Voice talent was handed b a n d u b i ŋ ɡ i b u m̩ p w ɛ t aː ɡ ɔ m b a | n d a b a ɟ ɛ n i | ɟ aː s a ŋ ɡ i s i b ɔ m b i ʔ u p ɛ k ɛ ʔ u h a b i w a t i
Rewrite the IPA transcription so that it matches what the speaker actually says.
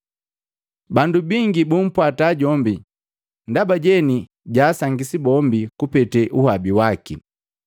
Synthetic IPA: b a n d u b i ŋ ɡ i b u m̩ p w a t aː ɟ ɔ m b i | n d a b a ɟ ɛ n i | ɟ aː s a ŋ ɡ i s i b ɔ m b i k u p ɛ t ɛ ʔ u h a b i w a k i